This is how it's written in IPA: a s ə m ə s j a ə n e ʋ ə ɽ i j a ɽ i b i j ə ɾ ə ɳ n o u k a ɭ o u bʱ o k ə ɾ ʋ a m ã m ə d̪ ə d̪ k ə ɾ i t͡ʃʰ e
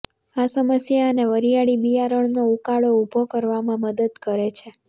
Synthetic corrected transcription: a s ə m ə s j a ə n e ʋ ə ɾ i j a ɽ i b i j a ɾ ə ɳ n o u k a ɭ o u bʱ o k ə ɾ ʋ a m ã m ə d̪ ə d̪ k ə ɾ e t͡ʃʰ e